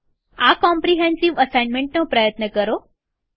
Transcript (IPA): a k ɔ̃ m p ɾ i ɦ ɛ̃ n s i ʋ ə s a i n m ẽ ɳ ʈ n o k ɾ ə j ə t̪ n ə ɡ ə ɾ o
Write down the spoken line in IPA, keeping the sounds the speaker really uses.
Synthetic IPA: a k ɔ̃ m p ɾ i ɦ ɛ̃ n s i ʋ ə s a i n m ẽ ɳ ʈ n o p ɾ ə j ə t̪ n ə k ə ɾ o